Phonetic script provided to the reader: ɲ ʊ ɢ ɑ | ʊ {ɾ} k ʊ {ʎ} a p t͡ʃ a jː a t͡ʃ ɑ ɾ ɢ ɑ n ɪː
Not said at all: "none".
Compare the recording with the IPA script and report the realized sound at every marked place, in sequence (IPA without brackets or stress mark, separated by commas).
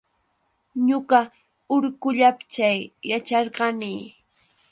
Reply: ɾ, ʎ